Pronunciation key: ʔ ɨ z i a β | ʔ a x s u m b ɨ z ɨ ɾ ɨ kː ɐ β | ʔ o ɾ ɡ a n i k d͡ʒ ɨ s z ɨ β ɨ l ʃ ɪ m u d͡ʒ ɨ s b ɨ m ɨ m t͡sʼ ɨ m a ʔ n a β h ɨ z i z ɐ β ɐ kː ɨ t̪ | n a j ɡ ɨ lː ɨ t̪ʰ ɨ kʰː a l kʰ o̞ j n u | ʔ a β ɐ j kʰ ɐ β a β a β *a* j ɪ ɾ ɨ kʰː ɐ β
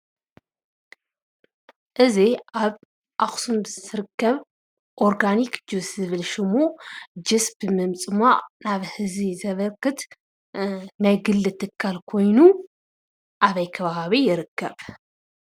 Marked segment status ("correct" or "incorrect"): incorrect